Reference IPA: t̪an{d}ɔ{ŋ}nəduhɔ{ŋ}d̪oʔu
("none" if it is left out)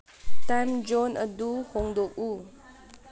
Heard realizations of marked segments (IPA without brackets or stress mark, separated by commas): d͡ʒ, none, ŋ